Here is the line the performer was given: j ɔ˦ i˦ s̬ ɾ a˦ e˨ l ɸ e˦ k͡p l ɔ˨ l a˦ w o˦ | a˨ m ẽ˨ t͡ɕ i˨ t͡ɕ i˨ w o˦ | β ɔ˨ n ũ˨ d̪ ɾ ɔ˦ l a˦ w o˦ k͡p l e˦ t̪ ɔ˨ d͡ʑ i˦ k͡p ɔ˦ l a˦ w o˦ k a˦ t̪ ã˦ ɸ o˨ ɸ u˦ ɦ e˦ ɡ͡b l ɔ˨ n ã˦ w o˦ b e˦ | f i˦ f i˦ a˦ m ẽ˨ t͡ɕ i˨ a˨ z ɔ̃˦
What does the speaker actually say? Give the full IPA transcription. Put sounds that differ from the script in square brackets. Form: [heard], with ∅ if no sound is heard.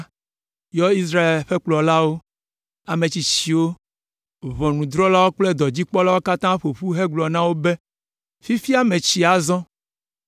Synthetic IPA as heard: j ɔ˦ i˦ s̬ ɾ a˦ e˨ l ɸ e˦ k͡p l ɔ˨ l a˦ w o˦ | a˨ m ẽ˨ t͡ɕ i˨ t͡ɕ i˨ w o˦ | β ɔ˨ n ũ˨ d̪ ɾ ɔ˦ l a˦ w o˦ k͡p l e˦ [d̪] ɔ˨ d͡ʑ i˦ k͡p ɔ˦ l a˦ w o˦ k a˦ t̪ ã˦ ɸ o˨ ɸ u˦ ɦ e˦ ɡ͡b l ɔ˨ n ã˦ w o˦ b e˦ | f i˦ f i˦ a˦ m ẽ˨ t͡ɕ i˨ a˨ z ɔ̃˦